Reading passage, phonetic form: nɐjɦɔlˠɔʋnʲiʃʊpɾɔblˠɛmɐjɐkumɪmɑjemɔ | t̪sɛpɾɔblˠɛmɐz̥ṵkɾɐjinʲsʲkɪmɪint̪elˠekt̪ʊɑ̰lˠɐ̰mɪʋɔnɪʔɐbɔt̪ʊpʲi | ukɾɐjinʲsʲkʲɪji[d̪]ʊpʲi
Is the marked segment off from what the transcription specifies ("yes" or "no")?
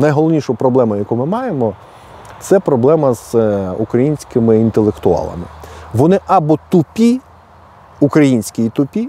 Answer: yes